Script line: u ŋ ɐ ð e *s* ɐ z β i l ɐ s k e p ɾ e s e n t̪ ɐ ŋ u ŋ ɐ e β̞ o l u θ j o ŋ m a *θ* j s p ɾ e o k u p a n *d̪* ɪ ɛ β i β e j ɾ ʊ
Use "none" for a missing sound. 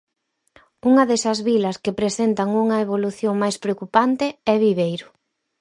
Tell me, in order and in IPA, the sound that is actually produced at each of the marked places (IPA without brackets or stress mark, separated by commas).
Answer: s, none, t̪